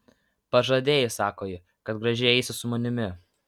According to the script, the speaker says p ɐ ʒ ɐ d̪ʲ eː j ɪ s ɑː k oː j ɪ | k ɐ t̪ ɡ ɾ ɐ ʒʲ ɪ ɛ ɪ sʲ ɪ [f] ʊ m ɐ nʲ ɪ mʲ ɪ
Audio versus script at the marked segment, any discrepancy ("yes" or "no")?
yes